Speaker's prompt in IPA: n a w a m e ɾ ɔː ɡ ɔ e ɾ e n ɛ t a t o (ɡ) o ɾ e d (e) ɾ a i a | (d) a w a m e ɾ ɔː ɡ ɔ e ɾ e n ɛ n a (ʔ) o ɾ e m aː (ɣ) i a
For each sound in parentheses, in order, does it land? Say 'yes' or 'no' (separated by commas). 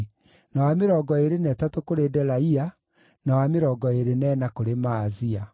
no, no, no, no, no